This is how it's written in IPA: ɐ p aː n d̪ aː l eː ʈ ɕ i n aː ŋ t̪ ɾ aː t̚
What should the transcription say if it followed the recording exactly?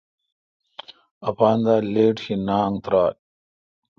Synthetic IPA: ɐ p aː n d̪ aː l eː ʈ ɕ i n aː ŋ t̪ ɾ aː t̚